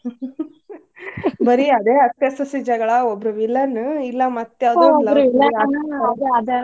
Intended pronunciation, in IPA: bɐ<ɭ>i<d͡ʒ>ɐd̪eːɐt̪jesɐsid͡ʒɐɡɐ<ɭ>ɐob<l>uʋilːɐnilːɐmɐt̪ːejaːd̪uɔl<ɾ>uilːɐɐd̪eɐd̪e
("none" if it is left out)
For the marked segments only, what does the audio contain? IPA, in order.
ɾ, none, ɭ, ɾ, ɾ

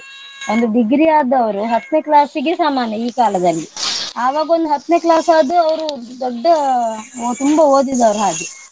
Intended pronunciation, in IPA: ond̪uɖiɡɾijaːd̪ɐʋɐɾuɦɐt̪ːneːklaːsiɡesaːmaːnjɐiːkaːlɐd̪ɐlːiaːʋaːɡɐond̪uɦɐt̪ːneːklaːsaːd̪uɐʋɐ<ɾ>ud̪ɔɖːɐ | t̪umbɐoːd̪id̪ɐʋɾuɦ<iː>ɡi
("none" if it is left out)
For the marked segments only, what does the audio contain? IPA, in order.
ɾ, aː

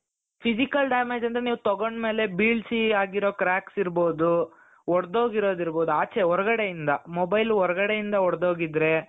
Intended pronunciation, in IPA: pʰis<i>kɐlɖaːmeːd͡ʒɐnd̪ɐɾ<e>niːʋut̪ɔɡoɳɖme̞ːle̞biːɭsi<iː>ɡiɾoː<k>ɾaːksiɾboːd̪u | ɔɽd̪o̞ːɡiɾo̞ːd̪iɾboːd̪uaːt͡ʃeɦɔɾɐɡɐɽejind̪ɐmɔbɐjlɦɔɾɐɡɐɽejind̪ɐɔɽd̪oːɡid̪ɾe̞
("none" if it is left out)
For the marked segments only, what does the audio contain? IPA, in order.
i, e, aː, k

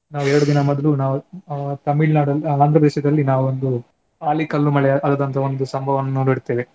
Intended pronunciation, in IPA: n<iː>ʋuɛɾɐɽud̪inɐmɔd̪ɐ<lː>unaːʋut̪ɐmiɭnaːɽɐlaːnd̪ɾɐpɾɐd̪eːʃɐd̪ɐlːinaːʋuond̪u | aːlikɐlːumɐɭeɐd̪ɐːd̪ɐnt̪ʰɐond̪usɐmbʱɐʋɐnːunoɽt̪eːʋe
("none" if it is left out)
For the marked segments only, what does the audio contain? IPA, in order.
aː, l

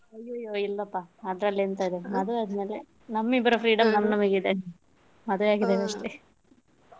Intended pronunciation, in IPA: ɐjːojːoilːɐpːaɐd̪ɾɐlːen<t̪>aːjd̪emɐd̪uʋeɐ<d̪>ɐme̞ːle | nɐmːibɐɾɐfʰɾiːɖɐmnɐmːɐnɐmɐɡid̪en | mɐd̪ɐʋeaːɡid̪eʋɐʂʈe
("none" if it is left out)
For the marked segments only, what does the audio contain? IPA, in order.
t̪, d̪

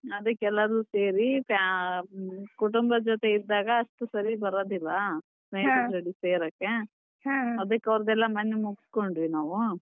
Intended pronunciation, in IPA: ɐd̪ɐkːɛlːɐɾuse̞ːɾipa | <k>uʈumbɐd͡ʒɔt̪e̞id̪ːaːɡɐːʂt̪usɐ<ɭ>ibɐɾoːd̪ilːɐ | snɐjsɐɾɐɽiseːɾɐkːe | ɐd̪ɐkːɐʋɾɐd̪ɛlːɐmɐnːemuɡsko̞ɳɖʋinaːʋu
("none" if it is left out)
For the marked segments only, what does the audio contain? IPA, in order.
k, ɾ

